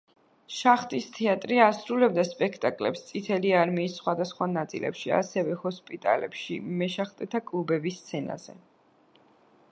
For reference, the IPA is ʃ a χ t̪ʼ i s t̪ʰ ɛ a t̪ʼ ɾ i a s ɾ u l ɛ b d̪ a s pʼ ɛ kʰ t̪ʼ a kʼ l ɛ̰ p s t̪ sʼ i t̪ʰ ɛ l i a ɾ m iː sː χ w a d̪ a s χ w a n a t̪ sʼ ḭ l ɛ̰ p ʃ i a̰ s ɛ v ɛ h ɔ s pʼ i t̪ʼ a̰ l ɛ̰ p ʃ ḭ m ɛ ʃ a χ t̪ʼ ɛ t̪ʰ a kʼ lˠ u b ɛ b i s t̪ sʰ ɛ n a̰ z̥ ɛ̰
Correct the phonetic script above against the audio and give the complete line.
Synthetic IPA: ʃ a χ t̪ʼ i s t̪ʰ ɛ a t̪ʼ ɾ i a s ɾ u l ɛ b d̪ a s pʼ ɛ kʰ t̪ʼ a kʼ l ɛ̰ p s t̪ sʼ i t̪ʰ ɛ l i a ɾ m iː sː χ w a d̪ a s χ w a n a t̪ sʼ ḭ l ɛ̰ p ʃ i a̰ s ɛ v ɛ h ɔ s pʼ i t̪ʼ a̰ l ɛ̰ p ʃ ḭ m ɛ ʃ a χ t̪ʼ ɛ t̪ʰ a kʼ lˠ u b ɛ b i s t̪ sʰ ɛ n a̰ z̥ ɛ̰